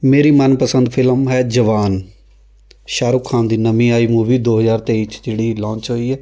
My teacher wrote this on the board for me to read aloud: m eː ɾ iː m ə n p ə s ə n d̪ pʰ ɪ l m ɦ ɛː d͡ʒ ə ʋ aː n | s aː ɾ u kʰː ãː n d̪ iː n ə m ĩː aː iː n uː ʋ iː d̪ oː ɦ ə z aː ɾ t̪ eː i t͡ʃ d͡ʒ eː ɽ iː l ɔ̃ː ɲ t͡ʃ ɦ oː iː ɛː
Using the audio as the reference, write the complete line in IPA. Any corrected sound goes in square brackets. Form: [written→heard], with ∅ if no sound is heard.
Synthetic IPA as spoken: m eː ɾ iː m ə n p ə s ə n d̪ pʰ ɪ l m ɦ ɛː d͡ʒ ə ʋ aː n | [s→ʃ] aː ɾ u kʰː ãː n d̪ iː n ə m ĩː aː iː [n→m] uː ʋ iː d̪ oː ɦ ə z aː ɾ t̪ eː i t͡ʃ d͡ʒ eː ɽ iː l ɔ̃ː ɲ t͡ʃ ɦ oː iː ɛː